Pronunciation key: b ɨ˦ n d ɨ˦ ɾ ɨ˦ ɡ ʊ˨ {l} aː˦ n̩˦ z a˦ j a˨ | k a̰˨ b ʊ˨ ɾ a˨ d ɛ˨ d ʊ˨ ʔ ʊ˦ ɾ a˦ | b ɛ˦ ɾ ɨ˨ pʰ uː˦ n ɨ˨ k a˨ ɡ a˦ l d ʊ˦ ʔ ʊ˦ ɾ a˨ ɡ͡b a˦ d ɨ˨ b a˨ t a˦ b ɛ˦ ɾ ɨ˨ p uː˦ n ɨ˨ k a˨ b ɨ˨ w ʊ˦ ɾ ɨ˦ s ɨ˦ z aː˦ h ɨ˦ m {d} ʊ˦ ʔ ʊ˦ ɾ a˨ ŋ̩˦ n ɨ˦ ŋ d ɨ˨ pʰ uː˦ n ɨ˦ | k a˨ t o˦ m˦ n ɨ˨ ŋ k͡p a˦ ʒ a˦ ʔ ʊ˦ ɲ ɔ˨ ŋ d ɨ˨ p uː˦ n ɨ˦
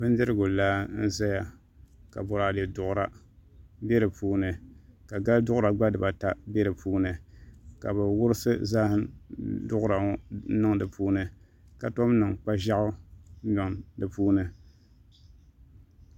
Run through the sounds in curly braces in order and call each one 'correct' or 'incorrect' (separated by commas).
correct, correct